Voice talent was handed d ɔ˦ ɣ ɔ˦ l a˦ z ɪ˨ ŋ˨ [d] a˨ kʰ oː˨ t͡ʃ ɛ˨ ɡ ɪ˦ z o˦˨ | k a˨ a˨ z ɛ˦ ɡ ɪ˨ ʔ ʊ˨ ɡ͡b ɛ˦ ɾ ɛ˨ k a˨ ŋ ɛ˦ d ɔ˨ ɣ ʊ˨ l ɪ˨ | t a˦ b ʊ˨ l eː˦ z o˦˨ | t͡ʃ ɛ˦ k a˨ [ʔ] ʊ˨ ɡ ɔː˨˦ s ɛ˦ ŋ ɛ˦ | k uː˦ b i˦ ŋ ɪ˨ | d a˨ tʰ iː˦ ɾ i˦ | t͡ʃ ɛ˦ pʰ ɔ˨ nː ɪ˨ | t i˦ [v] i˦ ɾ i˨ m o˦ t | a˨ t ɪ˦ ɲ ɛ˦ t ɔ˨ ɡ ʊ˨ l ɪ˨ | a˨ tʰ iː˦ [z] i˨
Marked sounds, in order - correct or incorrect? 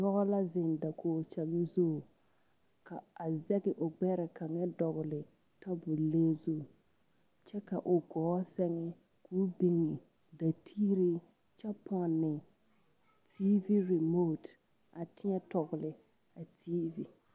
correct, correct, correct, incorrect

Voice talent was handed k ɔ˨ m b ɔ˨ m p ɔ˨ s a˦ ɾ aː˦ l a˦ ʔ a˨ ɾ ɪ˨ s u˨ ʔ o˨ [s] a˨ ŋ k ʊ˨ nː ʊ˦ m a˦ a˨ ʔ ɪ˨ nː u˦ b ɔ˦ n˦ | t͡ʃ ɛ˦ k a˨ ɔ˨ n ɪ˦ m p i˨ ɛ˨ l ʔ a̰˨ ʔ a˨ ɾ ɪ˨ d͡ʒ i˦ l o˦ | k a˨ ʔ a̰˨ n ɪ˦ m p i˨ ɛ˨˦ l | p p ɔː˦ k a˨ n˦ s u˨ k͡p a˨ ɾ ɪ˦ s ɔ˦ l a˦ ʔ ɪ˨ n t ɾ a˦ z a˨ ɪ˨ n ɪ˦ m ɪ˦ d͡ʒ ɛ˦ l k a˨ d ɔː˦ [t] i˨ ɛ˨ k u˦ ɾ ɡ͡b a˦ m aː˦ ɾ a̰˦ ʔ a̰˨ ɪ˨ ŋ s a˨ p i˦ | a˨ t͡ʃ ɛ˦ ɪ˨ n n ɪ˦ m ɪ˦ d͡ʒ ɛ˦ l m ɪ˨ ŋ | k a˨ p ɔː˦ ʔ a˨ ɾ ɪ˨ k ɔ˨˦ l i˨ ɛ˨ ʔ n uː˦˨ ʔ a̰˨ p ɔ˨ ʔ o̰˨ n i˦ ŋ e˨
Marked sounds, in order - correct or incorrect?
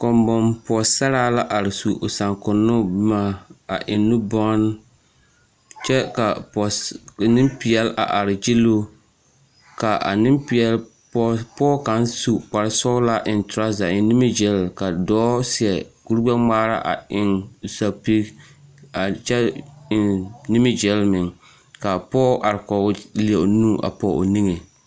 correct, incorrect

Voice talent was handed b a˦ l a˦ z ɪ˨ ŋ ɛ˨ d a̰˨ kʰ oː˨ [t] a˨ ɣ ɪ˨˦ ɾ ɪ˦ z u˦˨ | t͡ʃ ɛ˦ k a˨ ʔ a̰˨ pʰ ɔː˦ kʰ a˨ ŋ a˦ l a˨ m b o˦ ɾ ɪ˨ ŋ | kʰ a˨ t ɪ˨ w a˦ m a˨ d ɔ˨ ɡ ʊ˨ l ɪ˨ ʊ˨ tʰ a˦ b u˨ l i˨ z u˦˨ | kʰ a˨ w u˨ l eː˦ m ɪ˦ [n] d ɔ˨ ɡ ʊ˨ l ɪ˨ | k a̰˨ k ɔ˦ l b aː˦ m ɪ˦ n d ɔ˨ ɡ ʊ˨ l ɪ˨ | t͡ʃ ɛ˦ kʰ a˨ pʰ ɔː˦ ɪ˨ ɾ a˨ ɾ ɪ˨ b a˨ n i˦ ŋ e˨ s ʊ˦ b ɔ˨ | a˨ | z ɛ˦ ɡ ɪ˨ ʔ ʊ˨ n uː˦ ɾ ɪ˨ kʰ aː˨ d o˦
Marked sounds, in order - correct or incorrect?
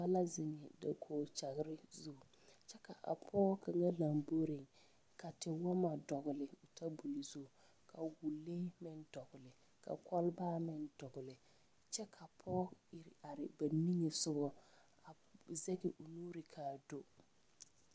incorrect, correct

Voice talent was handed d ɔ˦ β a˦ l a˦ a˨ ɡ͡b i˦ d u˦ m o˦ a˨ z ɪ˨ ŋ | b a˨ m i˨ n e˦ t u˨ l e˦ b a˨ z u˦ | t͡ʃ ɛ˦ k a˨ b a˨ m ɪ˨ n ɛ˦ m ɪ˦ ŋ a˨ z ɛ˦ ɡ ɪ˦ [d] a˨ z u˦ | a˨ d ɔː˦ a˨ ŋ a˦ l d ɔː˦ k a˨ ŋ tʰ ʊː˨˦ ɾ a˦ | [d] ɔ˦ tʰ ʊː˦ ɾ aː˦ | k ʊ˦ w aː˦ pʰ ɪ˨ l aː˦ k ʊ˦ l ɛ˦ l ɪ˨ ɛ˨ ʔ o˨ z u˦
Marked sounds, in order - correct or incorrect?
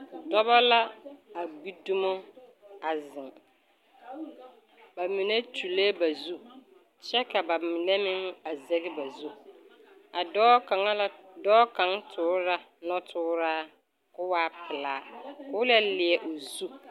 incorrect, incorrect

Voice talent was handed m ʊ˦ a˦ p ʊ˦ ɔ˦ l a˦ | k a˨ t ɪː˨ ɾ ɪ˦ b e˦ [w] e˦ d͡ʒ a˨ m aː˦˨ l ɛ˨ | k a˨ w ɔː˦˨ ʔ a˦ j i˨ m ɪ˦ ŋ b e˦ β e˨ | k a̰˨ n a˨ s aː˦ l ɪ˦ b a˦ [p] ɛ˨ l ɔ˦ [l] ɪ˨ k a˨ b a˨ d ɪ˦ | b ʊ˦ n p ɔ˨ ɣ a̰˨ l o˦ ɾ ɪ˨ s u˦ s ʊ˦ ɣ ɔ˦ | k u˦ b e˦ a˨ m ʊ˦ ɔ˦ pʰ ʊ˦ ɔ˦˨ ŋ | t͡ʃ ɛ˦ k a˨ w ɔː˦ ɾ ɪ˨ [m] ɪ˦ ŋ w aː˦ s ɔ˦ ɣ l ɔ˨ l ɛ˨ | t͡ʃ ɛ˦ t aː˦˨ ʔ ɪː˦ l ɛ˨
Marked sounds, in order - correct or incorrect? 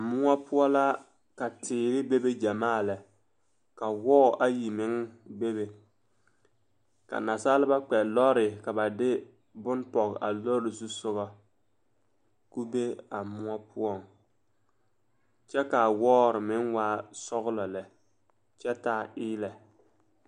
incorrect, incorrect, incorrect, correct

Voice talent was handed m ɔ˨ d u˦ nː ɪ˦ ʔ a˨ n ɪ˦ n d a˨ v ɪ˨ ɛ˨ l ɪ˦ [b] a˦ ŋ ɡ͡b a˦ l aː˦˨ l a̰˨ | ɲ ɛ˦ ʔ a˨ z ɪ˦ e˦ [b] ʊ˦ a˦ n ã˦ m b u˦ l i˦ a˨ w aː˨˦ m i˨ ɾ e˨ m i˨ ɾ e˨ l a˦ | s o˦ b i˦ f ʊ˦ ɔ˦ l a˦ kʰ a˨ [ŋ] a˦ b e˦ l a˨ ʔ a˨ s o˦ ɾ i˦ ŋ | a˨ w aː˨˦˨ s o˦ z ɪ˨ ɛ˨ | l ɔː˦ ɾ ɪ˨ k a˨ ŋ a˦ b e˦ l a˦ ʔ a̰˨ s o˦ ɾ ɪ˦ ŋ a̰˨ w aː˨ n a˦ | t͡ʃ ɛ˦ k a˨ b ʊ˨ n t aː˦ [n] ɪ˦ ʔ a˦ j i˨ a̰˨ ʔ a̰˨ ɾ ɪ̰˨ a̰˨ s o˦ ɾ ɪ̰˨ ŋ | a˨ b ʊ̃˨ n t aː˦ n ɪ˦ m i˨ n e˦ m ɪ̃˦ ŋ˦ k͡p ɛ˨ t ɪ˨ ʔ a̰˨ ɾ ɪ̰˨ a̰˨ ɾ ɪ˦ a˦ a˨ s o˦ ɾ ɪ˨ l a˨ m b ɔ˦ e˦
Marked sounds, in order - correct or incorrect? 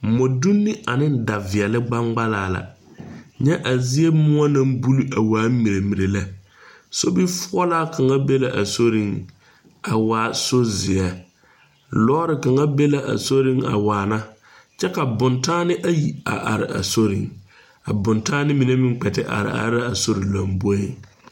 incorrect, incorrect, correct, correct

